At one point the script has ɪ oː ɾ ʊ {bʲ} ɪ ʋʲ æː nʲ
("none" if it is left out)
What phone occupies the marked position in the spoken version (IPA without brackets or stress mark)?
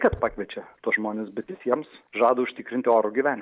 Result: ɡʲ